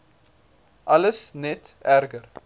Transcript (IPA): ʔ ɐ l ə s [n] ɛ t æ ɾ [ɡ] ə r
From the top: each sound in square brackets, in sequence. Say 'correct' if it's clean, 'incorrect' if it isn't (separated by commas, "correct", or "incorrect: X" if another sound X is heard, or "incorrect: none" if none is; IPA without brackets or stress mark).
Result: correct, correct